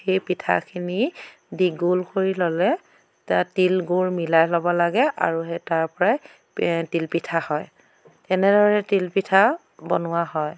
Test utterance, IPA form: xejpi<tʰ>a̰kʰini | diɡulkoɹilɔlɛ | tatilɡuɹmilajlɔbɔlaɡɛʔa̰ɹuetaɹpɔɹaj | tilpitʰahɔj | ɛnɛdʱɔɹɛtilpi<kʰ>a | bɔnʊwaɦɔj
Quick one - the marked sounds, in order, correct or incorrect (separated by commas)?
correct, incorrect